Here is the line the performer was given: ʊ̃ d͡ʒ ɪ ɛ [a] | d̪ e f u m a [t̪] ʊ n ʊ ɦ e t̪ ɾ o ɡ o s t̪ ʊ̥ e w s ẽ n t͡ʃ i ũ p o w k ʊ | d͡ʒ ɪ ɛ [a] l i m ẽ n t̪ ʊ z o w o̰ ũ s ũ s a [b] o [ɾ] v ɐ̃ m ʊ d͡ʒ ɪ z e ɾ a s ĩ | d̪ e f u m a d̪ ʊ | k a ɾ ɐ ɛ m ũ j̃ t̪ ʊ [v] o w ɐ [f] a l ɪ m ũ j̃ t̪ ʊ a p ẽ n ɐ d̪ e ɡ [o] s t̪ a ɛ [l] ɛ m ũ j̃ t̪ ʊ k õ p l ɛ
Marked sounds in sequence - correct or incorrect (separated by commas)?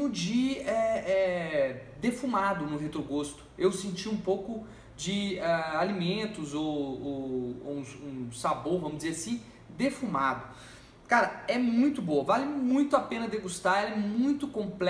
incorrect, incorrect, correct, correct, correct, incorrect, incorrect, incorrect, correct